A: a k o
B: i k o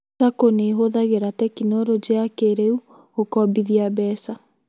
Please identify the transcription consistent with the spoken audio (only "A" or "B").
A